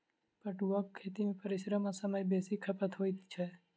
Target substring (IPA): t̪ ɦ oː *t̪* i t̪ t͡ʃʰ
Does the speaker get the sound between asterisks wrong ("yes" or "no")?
yes